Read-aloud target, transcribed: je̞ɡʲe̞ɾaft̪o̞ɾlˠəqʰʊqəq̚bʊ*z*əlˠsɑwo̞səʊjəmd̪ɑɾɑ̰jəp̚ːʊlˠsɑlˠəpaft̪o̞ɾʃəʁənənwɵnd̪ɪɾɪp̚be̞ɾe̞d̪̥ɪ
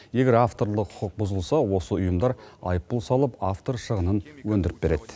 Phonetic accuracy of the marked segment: correct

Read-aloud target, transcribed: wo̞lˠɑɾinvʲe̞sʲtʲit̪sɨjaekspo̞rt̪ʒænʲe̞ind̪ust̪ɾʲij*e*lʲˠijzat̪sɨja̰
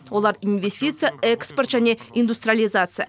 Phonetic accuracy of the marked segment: incorrect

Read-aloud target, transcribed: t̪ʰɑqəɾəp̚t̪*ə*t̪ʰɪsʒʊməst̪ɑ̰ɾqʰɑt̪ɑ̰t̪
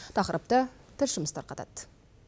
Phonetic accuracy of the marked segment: correct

